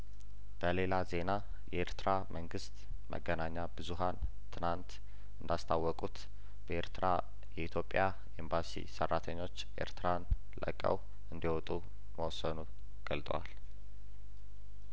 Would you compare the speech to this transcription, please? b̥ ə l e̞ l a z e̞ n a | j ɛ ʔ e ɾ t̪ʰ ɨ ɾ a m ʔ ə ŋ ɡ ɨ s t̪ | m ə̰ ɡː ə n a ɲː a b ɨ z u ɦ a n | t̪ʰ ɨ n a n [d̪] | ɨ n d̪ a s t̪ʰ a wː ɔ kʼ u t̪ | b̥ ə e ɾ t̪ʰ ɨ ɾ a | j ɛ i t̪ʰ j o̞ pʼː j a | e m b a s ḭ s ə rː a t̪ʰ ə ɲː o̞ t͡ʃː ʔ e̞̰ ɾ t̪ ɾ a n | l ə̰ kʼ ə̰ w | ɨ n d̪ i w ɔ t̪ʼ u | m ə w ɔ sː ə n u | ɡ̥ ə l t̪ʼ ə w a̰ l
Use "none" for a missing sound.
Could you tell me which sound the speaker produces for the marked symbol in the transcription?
t̪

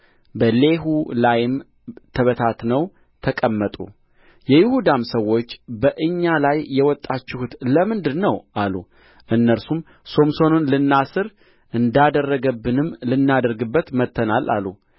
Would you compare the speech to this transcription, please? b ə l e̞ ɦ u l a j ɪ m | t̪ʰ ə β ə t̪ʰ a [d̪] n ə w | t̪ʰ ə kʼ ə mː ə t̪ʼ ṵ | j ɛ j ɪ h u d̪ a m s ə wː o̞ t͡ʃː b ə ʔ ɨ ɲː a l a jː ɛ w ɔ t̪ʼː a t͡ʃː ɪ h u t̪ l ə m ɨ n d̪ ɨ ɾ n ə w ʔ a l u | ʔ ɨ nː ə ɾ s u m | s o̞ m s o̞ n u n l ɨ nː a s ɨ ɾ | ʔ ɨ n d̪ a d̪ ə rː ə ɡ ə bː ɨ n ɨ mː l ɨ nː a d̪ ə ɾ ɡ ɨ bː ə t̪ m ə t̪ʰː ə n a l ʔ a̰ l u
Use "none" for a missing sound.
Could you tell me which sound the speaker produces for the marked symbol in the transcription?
t̪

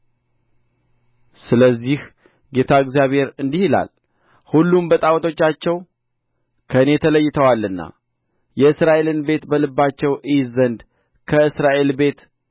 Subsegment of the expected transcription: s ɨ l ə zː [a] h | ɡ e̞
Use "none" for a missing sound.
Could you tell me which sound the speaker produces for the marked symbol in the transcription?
i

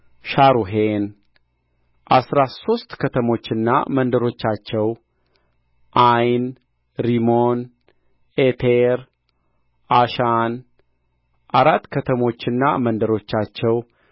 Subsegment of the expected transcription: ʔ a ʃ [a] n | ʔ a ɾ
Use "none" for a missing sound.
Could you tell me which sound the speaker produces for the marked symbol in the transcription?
a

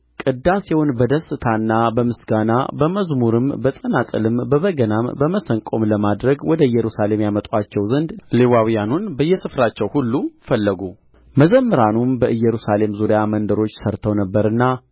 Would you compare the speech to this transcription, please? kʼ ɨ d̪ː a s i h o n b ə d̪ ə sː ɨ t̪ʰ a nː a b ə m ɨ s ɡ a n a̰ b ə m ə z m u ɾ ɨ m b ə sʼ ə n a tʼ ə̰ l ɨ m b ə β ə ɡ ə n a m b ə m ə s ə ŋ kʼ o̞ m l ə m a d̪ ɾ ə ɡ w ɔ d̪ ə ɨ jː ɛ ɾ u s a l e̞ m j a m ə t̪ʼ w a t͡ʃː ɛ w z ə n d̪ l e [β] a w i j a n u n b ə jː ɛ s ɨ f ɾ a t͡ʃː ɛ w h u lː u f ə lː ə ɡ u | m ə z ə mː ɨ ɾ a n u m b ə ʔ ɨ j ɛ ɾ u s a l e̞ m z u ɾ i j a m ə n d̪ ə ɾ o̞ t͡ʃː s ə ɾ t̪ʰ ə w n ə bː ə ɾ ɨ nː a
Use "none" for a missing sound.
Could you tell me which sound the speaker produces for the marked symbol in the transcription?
w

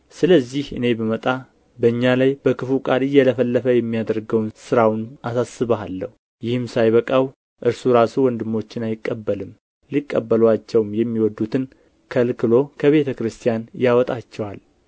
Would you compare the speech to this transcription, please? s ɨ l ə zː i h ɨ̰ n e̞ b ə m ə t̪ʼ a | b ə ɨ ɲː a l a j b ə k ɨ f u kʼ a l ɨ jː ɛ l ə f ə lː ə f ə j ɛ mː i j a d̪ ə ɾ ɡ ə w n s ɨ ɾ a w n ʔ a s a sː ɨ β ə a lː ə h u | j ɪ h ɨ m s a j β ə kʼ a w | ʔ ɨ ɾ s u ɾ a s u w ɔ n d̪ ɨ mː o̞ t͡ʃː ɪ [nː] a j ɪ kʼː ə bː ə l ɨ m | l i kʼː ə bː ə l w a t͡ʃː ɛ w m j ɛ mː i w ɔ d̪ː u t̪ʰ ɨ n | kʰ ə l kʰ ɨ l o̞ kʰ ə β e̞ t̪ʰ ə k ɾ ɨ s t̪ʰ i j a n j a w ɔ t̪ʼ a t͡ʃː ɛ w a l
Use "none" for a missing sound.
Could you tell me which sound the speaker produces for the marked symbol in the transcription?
n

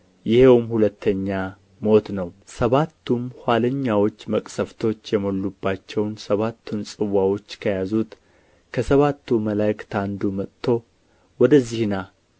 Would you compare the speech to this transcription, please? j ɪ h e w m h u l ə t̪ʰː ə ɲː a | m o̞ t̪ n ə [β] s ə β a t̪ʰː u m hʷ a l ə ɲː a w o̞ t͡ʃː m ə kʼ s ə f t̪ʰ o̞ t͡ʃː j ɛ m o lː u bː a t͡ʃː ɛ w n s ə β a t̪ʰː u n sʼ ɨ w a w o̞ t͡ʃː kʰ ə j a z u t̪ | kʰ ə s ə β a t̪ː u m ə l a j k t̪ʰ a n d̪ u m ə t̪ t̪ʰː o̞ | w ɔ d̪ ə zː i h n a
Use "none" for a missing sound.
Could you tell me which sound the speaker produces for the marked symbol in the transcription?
w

